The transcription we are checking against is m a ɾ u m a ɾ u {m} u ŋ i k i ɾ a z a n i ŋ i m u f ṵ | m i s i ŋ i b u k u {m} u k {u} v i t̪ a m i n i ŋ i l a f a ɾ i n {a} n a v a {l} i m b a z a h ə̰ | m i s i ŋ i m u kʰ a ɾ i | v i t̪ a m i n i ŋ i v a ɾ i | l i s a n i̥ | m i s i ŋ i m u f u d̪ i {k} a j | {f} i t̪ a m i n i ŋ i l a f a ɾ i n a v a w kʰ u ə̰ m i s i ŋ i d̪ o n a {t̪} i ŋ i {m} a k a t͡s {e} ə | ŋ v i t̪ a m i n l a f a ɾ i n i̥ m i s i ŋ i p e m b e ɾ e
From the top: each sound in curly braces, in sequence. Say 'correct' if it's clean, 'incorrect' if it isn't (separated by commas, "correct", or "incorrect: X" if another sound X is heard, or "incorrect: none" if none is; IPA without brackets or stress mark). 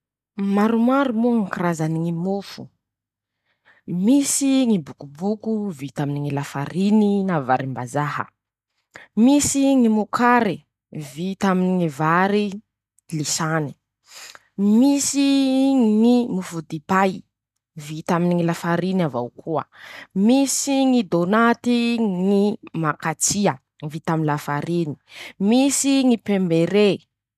correct, incorrect: b, correct, incorrect: i, incorrect: ɾ, incorrect: p, incorrect: v, correct, correct, incorrect: i